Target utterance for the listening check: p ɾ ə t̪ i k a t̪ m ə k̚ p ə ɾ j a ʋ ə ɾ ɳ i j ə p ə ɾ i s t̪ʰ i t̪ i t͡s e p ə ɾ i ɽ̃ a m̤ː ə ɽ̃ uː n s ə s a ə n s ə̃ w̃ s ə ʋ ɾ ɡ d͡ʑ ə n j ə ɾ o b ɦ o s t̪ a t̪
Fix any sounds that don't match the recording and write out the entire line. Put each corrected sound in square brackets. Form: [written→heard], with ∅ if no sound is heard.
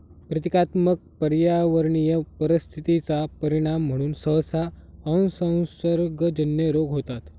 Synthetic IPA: p ɾ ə t̪ i k a t̪ m ə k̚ p ə ɾ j a ʋ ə ɾ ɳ i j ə p ə ɾ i s t̪ʰ i t̪ i t͡s [e→a] p ə ɾ i ɽ̃ a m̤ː ə ɽ̃ uː n s ə s a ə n s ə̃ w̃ s ə [ʋ→∅] ɾ ɡ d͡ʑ ə n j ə ɾ o [b→ɡ] ɦ o [s→∅] t̪ a t̪